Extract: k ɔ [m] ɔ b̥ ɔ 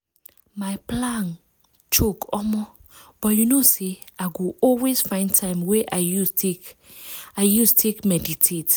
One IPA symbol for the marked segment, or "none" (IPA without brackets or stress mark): m